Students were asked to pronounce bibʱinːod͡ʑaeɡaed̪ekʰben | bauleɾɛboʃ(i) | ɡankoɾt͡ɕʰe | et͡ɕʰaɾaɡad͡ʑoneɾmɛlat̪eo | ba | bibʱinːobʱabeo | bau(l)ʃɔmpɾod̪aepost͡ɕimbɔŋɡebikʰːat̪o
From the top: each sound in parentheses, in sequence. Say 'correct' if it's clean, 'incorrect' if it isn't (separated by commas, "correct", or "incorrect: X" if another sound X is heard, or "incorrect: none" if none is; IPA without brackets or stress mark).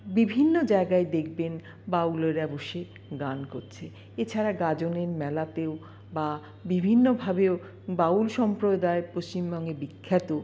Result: incorrect: e, correct